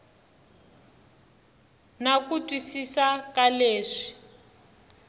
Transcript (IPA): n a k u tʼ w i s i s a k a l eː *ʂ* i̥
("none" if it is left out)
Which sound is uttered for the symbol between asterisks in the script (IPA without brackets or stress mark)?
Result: ʂ